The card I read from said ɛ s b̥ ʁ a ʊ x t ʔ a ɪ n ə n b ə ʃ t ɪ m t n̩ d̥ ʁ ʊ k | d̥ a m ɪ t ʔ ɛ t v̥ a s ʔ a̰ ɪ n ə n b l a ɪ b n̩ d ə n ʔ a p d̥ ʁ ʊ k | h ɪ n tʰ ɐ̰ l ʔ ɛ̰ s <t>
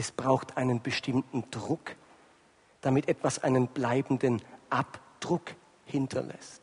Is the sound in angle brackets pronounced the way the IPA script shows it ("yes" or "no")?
yes